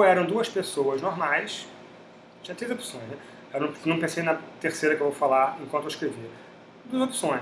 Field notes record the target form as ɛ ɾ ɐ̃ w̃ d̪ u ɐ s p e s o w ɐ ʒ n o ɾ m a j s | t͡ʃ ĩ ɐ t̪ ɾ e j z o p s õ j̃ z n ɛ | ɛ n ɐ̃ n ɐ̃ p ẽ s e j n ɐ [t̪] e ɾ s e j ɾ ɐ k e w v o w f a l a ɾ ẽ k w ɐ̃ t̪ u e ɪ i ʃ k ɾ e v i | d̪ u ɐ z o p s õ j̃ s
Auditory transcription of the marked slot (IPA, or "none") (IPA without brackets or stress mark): t̪